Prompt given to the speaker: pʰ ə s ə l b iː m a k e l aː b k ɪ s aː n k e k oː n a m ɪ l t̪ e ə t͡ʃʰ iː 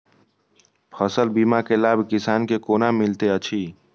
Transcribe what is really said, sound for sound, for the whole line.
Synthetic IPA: pʰ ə s ə l b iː m a k e l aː b k ɪ s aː n k e k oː n a m ɪ l t̪ e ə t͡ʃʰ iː